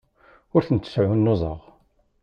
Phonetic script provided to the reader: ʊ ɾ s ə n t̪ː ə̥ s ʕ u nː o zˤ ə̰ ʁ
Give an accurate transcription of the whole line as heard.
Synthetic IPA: ʊ ɾ θ ə n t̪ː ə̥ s ʕ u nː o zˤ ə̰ ʁ

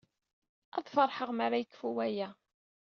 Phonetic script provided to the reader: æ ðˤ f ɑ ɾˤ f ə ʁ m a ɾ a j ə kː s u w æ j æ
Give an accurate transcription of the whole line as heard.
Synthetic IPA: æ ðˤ f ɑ ɾˤ ħ ə ʁ m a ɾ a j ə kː f u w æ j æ

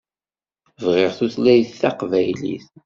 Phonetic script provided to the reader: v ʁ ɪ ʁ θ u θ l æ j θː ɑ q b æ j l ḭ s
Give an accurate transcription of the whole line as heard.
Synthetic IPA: v ʁ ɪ ʁ θ u θ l æ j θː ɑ q v æ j l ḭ θ

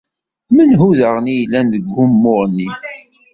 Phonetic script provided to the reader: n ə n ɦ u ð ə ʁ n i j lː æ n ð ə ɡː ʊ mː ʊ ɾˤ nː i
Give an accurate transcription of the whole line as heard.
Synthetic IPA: m ə n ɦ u ð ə ʁ n i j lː æ n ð ə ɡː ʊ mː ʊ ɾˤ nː i

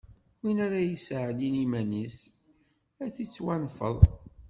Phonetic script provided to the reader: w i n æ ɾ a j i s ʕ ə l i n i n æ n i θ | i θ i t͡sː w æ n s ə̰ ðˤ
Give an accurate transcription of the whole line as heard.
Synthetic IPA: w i n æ ɾ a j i s ʕ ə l i n i m æ n i s | æ θ i t͡sː w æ n f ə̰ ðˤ

